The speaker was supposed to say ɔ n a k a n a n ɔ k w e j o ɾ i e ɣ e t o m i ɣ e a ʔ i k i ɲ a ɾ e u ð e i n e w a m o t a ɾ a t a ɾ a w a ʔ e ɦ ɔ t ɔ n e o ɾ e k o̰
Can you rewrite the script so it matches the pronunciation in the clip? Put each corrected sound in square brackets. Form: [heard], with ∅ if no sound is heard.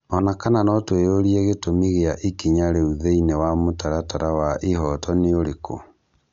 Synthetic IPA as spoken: ɔ n a k a n a n ɔ [t] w e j o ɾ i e ɣ e t o m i ɣ e a ʔ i k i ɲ a ɾ e u ð e i n e w a m o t a ɾ a t a ɾ a w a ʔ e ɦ ɔ t ɔ n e o ɾ e k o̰